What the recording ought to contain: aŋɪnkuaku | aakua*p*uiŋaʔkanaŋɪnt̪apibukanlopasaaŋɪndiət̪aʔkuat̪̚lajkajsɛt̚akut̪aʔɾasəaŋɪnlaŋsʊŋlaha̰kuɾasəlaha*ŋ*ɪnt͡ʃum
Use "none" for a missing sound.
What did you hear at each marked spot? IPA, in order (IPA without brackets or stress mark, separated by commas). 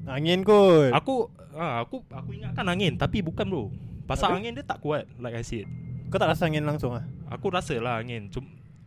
k, ŋ